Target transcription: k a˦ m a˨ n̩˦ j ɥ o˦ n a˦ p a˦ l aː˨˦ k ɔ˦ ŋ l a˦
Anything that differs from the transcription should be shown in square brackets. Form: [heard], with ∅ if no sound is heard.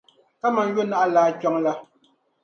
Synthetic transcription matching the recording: k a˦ m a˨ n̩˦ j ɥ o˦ n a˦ [ʔ] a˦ l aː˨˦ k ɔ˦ ŋ l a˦